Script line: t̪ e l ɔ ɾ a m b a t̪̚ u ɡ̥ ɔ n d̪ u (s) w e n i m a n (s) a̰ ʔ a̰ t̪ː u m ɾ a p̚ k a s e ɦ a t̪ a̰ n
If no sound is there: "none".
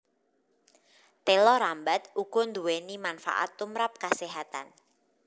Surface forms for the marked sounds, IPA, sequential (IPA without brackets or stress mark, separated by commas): none, f